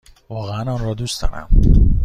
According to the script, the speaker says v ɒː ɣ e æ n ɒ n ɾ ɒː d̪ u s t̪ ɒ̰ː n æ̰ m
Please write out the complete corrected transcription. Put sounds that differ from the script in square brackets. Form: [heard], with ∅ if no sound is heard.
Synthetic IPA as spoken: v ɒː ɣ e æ n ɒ n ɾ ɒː d̪ u s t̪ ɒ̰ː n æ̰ m